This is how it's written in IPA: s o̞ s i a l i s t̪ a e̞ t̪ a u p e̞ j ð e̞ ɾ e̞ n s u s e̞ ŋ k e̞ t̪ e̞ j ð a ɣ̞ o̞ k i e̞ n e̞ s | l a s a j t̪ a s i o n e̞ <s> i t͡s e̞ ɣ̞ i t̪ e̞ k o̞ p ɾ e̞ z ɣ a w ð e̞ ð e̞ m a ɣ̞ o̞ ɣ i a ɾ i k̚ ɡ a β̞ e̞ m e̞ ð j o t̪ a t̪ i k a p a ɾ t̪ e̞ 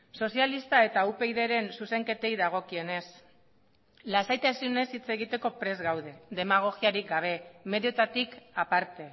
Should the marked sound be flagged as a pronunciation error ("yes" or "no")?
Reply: no